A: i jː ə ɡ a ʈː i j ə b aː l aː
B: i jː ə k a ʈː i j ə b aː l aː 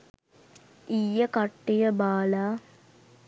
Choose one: B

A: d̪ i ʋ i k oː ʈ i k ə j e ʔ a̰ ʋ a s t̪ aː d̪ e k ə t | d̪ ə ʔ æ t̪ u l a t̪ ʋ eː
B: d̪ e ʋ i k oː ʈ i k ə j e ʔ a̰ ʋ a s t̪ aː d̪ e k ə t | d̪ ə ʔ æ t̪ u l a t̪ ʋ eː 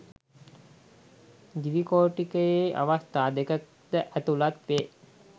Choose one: A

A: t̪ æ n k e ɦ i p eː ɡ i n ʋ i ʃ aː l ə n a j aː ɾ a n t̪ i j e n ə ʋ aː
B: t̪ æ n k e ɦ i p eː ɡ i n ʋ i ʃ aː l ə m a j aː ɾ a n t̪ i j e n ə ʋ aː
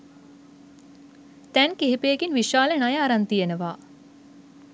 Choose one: A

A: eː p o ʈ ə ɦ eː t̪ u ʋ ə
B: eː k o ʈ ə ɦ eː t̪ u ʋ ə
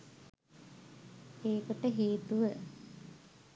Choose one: B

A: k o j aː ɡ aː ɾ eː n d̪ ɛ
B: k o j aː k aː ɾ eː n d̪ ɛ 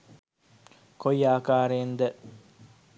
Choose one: B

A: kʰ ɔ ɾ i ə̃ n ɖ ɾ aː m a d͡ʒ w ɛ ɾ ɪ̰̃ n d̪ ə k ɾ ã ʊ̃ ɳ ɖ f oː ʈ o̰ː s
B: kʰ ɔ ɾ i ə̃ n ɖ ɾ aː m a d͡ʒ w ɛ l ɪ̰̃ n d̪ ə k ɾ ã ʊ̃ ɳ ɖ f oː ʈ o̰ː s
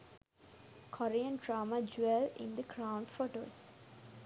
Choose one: B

